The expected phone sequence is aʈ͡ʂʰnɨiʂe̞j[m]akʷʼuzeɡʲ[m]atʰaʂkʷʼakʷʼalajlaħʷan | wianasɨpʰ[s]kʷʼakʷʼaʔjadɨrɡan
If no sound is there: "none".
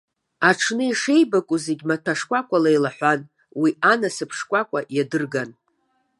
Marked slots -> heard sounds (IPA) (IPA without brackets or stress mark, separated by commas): b, m, ʂ